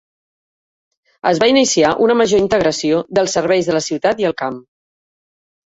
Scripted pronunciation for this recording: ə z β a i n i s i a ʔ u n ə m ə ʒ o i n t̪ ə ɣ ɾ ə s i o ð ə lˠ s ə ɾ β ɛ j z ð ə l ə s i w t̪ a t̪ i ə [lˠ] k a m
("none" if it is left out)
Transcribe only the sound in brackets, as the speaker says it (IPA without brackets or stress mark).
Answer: lˠ